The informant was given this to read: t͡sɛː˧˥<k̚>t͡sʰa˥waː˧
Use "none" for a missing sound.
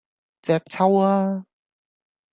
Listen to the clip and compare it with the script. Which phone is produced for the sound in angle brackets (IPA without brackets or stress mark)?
k̚